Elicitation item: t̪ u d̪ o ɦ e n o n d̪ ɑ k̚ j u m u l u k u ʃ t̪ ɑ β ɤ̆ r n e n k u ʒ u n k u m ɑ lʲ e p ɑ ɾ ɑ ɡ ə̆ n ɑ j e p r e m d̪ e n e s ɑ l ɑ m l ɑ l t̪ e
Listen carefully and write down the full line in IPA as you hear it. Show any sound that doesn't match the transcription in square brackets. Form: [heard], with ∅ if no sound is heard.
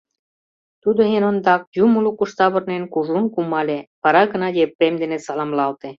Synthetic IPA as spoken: t̪ u d̪ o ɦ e n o n d̪ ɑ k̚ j u m u l u k u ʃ t̪ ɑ β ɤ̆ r n e n k u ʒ u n k u m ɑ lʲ e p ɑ ɾ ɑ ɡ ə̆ n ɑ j e p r e m d̪ e n e s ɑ l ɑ m l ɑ l t̪ e